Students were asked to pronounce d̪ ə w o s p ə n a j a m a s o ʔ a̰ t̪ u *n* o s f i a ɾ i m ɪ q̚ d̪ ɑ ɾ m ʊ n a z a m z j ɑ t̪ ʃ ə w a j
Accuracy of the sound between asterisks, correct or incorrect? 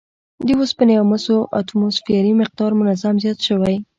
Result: incorrect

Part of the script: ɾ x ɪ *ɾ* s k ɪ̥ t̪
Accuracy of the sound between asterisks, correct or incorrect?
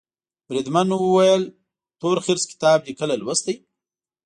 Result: correct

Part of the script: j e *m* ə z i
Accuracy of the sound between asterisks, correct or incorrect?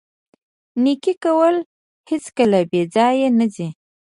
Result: incorrect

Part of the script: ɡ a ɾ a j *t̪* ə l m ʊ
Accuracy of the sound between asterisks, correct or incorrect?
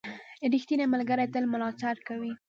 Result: correct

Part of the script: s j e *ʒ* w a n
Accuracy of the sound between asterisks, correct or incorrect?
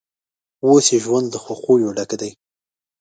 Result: correct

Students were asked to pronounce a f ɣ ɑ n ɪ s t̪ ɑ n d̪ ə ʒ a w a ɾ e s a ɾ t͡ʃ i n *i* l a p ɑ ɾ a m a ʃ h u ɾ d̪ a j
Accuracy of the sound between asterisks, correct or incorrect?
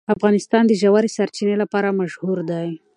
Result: incorrect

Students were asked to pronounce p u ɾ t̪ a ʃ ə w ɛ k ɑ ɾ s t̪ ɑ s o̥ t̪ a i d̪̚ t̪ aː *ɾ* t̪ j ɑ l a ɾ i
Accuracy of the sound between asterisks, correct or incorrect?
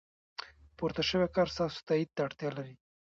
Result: incorrect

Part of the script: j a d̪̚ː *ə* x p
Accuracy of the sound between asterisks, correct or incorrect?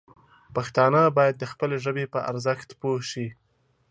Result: correct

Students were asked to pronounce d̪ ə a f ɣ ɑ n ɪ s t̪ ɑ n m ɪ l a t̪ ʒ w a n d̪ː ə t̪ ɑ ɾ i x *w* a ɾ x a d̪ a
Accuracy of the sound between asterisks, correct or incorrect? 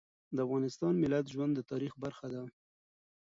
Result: incorrect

